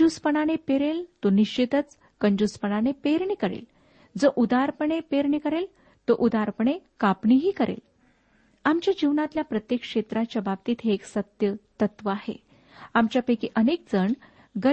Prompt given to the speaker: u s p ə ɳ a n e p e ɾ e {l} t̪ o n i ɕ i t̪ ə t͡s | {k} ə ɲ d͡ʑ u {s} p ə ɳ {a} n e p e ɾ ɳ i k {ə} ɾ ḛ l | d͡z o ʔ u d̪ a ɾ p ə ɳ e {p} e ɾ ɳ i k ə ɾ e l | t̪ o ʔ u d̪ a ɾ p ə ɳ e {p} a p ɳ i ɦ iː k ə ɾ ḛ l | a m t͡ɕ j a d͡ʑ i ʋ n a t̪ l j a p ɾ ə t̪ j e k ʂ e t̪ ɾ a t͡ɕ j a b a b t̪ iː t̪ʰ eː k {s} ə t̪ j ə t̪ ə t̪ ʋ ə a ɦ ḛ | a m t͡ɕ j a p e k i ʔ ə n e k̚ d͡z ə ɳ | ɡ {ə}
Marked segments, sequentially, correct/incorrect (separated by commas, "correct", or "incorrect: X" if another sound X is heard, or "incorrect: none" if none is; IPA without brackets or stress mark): correct, correct, correct, correct, correct, correct, incorrect: k, correct, correct